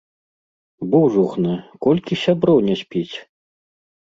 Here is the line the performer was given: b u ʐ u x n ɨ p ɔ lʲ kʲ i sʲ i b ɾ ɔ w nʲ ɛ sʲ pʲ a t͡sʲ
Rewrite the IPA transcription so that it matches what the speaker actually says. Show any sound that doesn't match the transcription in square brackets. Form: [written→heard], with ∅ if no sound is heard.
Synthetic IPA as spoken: b u ʐ u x n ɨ [p→k] ɔ lʲ kʲ i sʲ [i→a] b ɾ ɔ w nʲ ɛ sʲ pʲ [a→i] t͡sʲ

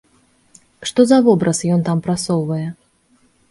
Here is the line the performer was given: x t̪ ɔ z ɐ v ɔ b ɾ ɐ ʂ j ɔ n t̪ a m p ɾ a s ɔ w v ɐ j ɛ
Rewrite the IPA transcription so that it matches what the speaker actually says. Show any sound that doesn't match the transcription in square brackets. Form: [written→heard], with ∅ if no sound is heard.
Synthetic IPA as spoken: [x→ʂ] t̪ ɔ z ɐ v ɔ b ɾ ɐ [ʂ→s] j ɔ n t̪ a m p ɾ a s ɔ w v ɐ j ɛ

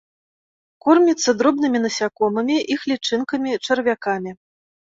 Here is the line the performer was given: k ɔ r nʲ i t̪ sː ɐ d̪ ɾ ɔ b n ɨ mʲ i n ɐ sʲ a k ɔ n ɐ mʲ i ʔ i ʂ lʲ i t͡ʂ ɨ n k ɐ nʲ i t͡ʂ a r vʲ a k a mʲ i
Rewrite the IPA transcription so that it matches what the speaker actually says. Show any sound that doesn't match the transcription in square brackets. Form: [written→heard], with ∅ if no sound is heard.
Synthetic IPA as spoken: k ɔ r [nʲ→mʲ] i t̪ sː ɐ d̪ ɾ ɔ b n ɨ mʲ i n ɐ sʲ a k ɔ [n→m] ɐ mʲ i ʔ i [ʂ→x] lʲ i t͡ʂ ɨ n k ɐ [nʲ→mʲ] i t͡ʂ [a→ɐ] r vʲ a k a mʲ i

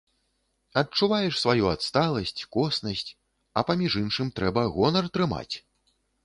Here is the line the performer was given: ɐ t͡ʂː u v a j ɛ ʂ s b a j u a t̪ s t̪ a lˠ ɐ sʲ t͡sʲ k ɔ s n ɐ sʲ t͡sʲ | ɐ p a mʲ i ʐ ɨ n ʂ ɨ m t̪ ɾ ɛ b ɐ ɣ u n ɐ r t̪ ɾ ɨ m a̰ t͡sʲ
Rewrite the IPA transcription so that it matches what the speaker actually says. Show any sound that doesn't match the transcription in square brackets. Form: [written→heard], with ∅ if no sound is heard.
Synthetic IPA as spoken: ɐ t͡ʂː u v a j ɛ ʂ s [b→v] a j u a t̪ s t̪ a lˠ ɐ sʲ t͡sʲ k ɔ s n ɐ sʲ t͡sʲ | ɐ p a mʲ i ʐ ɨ n ʂ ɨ m t̪ ɾ ɛ b ɐ ɣ [u→ɔ] n ɐ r t̪ ɾ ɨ m a̰ t͡sʲ

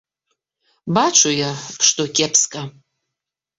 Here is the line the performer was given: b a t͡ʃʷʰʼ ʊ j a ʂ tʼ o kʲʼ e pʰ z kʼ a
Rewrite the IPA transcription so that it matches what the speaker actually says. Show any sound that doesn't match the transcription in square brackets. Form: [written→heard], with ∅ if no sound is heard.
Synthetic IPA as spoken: b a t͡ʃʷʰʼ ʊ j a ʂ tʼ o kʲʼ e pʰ [z→s] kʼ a

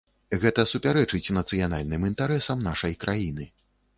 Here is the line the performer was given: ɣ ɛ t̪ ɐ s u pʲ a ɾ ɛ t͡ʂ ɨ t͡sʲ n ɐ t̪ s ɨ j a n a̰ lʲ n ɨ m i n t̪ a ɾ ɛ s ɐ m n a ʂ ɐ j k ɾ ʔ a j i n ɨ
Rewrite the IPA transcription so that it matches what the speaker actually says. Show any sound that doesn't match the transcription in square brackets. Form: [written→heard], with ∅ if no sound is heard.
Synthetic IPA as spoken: ɣ ɛ t̪ ɐ s u pʲ a ɾ ɛ t͡ʂ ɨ t͡sʲ n ɐ t̪ s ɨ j a n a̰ lʲ n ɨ m i n t̪ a ɾ ɛ s ɐ m n a ʂ ɐ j k ɾ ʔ a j i n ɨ

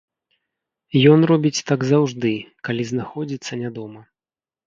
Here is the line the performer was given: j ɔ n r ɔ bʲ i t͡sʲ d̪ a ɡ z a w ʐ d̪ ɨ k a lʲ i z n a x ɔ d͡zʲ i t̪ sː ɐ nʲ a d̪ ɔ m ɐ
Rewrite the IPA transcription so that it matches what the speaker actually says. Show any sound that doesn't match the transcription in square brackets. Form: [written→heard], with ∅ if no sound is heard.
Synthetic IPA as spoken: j ɔ n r ɔ bʲ i t͡sʲ [d̪→t̪] a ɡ z a w ʐ d̪ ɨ k a lʲ i z n a x ɔ d͡zʲ i t̪ sː ɐ nʲ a d̪ ɔ m ɐ

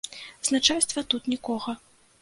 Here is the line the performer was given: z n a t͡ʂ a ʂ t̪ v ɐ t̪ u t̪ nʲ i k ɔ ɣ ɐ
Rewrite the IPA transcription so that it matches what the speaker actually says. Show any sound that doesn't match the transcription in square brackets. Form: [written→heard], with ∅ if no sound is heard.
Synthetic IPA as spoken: z n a t͡ʂ a [ʂ→s] t̪ v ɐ t̪ u t̪ nʲ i k ɔ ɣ ɐ

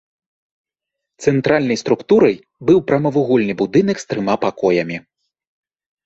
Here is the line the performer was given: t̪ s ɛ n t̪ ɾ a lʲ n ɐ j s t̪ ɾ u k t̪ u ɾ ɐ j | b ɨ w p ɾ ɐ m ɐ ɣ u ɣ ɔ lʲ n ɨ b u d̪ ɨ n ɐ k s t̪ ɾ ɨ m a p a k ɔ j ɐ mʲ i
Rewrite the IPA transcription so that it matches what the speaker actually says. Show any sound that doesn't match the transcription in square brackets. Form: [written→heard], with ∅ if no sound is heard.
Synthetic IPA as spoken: t̪ s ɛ n t̪ ɾ a lʲ n ɐ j s t̪ ɾ u k t̪ u ɾ ɐ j | b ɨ w p ɾ ɐ m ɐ [ɣ→v] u ɣ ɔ lʲ n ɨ b u d̪ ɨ n ɐ k s t̪ ɾ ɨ m a p a k ɔ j ɐ mʲ i

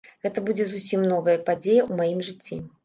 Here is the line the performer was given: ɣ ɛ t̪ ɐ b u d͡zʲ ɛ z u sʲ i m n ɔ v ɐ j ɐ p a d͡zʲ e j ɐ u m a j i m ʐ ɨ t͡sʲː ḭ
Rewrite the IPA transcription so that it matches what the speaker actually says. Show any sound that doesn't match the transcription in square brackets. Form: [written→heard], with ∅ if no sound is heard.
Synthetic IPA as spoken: ɣ ɛ t̪ ɐ b u d͡zʲ ɛ z u sʲ i m n ɔ v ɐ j ɐ p a d͡zʲ e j ɐ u m a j i m ʐ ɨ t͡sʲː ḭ

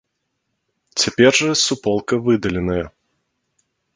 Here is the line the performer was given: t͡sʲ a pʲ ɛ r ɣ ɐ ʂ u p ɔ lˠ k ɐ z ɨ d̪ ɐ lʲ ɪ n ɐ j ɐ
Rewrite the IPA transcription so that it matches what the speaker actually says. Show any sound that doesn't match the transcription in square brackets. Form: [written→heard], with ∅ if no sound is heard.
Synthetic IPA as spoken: t͡sʲ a pʲ ɛ r [ɣ→ʐ] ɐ [ʂ→s] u p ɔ lˠ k ɐ [z→v] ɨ d̪ ɐ lʲ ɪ n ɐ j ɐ

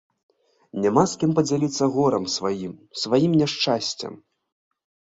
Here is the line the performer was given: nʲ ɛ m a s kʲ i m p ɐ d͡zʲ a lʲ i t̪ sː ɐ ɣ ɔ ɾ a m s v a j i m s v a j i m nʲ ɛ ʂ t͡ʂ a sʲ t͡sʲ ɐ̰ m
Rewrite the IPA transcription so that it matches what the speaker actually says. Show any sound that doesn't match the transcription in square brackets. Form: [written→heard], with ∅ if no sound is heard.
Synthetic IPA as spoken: nʲ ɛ m a s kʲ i m p ɐ d͡zʲ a lʲ i t̪ sː ɐ ɣ ɔ ɾ [a→ɐ] m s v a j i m s v a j i m nʲ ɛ ʂ t͡ʂ a sʲ t͡sʲ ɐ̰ m

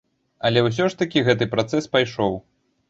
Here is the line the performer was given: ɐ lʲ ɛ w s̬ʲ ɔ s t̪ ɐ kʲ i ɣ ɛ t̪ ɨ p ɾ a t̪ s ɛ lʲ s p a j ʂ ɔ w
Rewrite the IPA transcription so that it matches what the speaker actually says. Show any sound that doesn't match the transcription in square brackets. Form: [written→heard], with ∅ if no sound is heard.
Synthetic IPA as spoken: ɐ lʲ ɛ w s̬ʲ ɔ [s→ʂ] t̪ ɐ kʲ i ɣ ɛ t̪ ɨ p ɾ a t̪ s ɛ [lʲ→∅] s p a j ʂ ɔ w

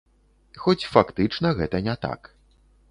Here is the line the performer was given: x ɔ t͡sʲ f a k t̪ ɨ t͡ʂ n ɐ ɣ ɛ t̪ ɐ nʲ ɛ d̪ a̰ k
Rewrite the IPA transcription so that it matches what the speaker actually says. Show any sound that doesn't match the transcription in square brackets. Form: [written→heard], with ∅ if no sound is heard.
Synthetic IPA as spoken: x ɔ t͡sʲ f a k t̪ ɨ t͡ʂ n ɐ ɣ ɛ t̪ ɐ nʲ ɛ [d̪→t̪] a̰ k

